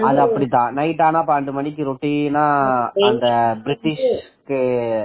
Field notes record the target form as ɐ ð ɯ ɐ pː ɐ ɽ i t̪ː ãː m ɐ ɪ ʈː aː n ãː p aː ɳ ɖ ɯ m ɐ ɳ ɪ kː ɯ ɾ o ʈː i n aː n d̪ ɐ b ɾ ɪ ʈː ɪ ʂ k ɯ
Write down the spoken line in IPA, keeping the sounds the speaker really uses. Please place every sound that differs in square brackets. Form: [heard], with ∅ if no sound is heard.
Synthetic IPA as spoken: ɐ ð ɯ ɐ pː ɐ ɽ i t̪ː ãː [n] ɐ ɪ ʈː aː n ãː p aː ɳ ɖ ɯ m ɐ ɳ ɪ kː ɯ ɾ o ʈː i n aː n d̪ ɐ b ɾ ɪ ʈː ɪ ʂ k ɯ